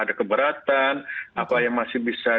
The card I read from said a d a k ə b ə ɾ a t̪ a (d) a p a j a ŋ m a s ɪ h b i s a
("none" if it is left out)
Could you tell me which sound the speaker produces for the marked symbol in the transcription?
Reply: n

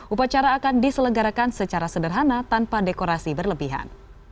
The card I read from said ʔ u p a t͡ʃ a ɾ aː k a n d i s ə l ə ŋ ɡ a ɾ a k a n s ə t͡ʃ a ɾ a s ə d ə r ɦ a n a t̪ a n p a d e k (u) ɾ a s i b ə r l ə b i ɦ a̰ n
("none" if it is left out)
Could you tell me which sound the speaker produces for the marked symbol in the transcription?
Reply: o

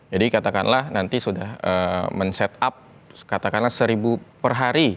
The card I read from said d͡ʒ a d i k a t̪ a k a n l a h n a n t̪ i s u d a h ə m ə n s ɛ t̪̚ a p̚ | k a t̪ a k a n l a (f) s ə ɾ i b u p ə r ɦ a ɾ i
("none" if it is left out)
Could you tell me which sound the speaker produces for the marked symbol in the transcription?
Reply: h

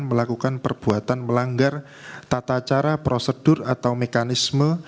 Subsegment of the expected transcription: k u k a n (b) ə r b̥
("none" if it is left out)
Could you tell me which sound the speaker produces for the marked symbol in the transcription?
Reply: p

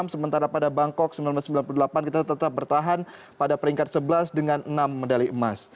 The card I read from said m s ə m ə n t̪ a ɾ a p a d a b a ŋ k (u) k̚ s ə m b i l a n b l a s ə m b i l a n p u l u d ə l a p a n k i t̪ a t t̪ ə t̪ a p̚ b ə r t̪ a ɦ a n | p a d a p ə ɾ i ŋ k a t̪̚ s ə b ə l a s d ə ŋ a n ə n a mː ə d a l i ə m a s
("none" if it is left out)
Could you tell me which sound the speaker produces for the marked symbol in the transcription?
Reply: ɔ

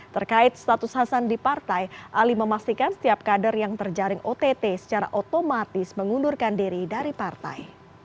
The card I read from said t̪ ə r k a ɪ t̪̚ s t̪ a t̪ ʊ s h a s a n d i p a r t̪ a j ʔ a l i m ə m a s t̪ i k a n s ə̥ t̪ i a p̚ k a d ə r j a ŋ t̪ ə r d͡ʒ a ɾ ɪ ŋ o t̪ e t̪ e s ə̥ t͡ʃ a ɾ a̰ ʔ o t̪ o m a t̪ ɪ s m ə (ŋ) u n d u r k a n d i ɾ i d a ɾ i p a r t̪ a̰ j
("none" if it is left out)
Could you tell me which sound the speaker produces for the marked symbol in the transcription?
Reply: ŋ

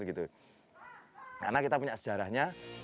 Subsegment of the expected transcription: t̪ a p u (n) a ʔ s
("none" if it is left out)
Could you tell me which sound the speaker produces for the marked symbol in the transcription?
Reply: ɲ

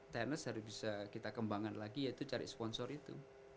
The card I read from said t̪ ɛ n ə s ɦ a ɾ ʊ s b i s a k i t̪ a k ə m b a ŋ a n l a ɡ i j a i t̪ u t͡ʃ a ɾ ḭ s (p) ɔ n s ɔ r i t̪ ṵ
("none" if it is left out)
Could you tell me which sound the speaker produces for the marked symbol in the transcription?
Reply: p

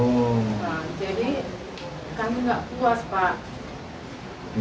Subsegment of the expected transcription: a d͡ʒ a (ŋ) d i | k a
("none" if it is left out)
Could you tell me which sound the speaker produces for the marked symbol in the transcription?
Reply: none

